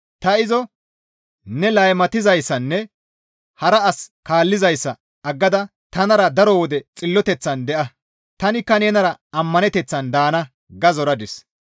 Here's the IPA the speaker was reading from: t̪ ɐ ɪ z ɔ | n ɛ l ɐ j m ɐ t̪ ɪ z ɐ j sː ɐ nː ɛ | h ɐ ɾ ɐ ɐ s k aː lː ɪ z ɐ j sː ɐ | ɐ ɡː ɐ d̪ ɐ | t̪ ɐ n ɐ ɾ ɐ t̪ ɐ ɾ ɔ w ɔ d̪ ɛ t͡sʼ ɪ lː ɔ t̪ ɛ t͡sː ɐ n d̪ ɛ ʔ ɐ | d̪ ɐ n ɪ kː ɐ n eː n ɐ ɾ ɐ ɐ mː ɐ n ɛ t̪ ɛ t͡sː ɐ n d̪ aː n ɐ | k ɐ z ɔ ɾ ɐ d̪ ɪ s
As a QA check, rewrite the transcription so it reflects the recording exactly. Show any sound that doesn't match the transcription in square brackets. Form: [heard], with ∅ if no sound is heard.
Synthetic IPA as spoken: t̪ ɐ ɪ z ɔ | n ɛ l ɐ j m ɐ t̪ ɪ z ɐ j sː ɐ nː ɛ | h ɐ ɾ ɐ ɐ s k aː lː ɪ z ɐ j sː ɐ | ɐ ɡː ɐ d̪ ɐ | t̪ ɐ n ɐ ɾ ɐ [d̪] ɐ ɾ ɔ w ɔ d̪ ɛ t͡sʼ ɪ lː ɔ t̪ ɛ t͡sː ɐ n d̪ ɛ ʔ ɐ | [t̪] ɐ n ɪ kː ɐ n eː n ɐ ɾ ɐ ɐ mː ɐ n ɛ t̪ ɛ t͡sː ɐ n d̪ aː n ɐ | [ɡ] ɐ z ɔ ɾ ɐ d̪ ɪ s